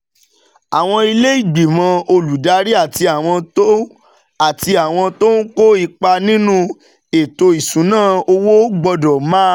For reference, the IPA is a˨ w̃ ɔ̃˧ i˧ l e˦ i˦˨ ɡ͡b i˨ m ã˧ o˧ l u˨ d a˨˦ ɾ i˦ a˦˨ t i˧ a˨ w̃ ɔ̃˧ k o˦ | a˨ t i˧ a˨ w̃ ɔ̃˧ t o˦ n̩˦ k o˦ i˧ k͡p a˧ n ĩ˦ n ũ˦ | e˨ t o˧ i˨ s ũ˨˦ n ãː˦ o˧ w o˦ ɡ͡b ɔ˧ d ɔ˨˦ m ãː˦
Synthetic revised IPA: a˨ w̃ ɔ̃˧ i˧ l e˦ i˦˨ ɡ͡b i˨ m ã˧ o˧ l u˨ d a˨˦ ɾ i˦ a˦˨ t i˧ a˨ w̃ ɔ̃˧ t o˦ | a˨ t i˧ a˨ w̃ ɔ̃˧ t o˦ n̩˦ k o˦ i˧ k͡p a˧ n ĩ˦ n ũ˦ | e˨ t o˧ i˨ s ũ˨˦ n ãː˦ o˧ w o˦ ɡ͡b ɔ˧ d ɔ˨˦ m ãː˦